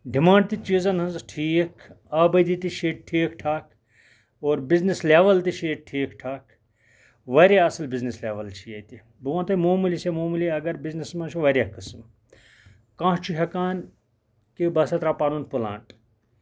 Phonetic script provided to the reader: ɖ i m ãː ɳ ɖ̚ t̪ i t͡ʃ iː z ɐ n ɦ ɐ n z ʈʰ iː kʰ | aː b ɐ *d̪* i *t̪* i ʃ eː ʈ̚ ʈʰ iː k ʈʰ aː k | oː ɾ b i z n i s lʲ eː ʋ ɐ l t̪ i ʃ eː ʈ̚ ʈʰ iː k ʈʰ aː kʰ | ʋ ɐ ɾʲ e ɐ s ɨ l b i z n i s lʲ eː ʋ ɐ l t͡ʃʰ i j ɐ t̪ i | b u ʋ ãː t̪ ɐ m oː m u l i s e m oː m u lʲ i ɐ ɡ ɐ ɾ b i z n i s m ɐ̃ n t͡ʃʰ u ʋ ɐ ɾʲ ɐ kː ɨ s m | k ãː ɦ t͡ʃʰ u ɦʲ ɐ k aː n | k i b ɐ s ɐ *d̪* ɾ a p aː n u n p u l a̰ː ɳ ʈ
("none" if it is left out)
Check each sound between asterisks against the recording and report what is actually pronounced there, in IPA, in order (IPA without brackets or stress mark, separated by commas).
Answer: d̪, t̪, t̪